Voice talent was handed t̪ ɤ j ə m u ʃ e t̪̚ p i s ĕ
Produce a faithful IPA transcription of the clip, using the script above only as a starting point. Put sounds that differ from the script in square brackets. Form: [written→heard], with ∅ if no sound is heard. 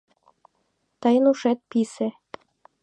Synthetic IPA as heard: t̪ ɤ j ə [m→n] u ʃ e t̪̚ p i s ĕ